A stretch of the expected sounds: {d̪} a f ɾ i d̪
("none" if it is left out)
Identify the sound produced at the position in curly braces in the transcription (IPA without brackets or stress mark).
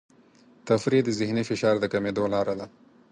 t̪